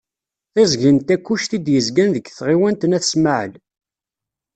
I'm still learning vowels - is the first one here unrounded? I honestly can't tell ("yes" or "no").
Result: yes